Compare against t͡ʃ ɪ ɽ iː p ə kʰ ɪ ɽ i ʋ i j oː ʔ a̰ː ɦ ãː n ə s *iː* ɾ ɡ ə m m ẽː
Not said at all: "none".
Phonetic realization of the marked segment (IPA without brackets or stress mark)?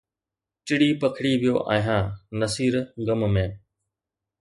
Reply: iː